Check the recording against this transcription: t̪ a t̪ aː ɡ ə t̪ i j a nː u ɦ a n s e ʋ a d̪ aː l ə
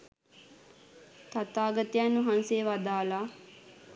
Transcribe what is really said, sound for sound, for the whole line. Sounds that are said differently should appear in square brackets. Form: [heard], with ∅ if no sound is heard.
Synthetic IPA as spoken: t̪ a t̪ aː ɡ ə t̪ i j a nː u ɦ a n s e ʋ a d̪ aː l [a]